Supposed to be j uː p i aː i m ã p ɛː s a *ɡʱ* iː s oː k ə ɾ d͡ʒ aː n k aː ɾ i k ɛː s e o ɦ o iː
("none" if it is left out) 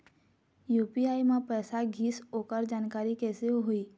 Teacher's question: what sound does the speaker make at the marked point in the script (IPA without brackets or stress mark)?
ɡʱ